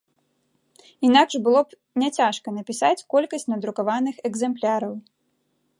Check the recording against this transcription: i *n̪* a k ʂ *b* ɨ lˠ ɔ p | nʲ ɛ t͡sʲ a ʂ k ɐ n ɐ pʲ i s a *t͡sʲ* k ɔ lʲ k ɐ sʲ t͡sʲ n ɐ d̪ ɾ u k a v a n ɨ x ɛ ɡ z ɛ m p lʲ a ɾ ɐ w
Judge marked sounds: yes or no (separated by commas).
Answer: yes, yes, yes